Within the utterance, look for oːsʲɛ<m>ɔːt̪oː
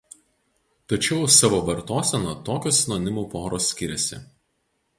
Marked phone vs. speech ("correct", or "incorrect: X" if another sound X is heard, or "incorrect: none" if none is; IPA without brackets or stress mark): incorrect: n